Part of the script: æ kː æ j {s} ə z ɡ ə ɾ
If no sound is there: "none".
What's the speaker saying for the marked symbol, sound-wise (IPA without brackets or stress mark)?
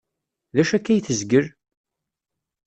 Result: θ